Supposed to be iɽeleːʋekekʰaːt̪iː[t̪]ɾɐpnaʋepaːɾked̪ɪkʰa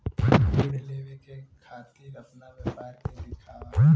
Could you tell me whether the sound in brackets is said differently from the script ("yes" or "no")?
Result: yes